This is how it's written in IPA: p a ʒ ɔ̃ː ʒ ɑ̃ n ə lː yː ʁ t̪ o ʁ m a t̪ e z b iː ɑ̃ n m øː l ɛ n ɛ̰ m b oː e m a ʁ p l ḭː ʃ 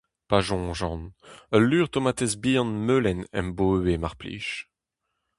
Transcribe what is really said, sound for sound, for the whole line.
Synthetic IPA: p a ʒ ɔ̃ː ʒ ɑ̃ n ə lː yː ʁ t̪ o m a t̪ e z b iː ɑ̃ n m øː l ɛ n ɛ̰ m b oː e m a ʁ p l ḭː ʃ